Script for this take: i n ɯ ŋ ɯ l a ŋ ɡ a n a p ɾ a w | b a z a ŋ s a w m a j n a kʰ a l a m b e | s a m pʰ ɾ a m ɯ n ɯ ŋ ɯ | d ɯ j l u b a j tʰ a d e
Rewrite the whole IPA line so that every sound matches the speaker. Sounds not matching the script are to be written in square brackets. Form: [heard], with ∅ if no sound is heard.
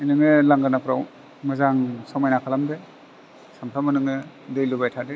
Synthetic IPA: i n ɯ ŋ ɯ l a ŋ ɡ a n a p ɾ a w | [m] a z a ŋ s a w m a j n a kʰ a l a m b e | s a m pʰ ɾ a m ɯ n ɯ ŋ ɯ | d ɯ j l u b a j tʰ a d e